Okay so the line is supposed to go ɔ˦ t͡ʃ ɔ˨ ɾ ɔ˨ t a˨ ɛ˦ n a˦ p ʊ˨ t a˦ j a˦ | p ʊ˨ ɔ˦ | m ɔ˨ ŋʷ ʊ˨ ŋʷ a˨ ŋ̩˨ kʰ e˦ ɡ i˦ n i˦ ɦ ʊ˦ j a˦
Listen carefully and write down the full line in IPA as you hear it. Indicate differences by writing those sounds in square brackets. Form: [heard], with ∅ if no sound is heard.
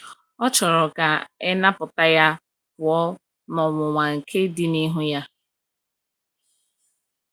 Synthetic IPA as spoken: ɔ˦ t͡ʃ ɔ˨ ɾ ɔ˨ [k] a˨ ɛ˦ n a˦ p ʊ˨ t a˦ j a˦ | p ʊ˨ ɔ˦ | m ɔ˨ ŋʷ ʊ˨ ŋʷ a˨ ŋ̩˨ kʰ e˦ [d] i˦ n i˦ ɦ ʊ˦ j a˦